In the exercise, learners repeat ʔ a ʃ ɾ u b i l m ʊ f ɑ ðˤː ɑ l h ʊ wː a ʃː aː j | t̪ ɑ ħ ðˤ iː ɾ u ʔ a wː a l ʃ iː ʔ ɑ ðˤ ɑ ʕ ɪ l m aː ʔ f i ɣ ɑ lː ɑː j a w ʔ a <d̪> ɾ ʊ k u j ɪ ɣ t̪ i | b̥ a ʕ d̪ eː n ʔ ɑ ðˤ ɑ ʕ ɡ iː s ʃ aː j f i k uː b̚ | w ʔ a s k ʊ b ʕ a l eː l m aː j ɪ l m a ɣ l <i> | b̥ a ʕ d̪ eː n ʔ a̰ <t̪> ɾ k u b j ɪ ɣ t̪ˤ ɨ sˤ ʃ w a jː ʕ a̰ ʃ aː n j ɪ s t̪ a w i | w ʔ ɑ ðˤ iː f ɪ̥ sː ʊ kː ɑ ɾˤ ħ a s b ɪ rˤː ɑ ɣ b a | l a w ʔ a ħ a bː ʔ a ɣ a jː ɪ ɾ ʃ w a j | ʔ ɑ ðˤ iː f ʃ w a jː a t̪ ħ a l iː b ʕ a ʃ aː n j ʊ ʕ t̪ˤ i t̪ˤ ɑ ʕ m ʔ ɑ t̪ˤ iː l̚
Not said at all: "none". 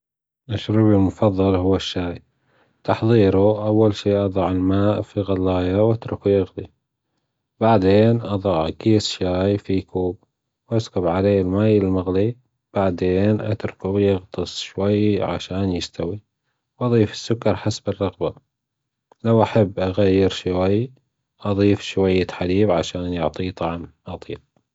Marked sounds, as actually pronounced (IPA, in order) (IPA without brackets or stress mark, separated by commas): t̪, i, t̪